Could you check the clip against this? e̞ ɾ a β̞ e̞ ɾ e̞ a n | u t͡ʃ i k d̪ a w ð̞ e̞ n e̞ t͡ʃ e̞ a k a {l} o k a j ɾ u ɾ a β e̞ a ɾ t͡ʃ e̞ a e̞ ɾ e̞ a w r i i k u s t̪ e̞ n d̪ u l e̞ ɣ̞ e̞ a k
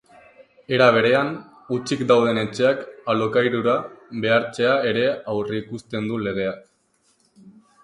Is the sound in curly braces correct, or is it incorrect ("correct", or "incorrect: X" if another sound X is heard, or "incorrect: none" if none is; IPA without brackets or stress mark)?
correct